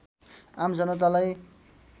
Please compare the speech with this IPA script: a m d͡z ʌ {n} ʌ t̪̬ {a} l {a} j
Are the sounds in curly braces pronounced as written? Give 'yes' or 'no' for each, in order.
yes, yes, yes

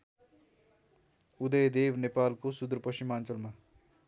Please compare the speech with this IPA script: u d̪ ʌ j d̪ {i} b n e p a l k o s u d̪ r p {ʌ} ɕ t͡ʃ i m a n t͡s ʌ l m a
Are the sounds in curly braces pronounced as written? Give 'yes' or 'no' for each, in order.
no, yes

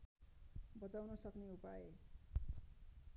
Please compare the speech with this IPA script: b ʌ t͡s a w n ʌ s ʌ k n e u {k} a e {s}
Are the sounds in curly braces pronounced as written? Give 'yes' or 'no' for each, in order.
no, no

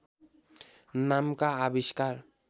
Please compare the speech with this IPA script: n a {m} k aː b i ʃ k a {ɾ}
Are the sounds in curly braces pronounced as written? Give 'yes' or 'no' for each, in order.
yes, yes

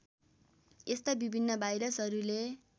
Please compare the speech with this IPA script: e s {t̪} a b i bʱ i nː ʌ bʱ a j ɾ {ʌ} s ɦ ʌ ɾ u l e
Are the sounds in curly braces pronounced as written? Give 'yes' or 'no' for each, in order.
yes, yes

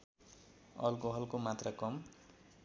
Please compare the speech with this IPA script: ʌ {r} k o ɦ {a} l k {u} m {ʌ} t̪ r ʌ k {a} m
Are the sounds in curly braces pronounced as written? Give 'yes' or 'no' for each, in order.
no, no, no, no, no

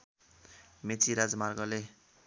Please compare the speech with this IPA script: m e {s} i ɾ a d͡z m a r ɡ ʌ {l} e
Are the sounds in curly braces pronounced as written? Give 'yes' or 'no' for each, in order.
no, yes

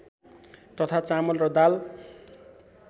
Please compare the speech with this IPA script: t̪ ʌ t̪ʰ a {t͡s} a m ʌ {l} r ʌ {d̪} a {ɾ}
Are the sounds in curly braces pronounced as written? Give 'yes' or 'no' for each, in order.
yes, yes, yes, no

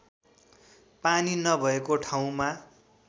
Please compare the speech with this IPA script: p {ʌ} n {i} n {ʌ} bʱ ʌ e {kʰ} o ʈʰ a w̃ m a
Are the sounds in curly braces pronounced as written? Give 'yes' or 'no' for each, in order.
no, yes, yes, no

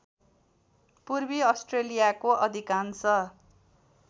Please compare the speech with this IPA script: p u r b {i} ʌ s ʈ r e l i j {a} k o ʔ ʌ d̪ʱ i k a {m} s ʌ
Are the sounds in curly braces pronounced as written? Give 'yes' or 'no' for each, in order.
yes, yes, no

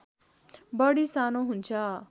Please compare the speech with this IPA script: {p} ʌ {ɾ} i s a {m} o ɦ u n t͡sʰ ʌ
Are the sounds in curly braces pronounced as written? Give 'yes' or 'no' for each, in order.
no, no, no

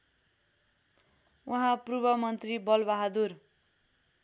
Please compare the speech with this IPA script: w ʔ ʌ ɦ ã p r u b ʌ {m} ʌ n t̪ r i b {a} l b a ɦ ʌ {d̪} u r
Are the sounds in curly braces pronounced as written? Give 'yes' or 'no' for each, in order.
yes, no, yes

